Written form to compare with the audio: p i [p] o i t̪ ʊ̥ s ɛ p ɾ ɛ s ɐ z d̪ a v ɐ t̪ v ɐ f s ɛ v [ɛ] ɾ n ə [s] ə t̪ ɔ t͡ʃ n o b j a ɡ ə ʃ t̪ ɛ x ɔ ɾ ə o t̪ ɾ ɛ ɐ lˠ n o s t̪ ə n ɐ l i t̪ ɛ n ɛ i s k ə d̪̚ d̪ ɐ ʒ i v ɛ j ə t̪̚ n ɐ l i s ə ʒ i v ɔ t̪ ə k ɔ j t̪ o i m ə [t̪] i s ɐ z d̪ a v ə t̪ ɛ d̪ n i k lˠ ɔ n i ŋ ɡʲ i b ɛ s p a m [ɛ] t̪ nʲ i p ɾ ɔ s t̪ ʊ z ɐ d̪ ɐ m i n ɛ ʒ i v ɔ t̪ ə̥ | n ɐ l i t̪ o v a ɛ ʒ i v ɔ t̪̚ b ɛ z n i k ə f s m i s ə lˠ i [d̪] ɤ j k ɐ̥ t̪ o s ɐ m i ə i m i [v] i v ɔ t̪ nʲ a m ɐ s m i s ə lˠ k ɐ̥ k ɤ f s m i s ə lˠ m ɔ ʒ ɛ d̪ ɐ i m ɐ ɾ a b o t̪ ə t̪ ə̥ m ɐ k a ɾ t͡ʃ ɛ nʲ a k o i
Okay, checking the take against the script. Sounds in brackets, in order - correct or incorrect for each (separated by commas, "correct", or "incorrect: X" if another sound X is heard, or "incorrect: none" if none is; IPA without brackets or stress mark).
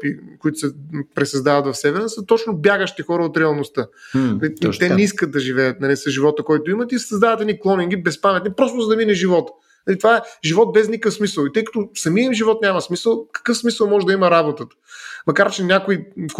incorrect: k, correct, correct, correct, correct, incorrect: t̪, incorrect: ʒ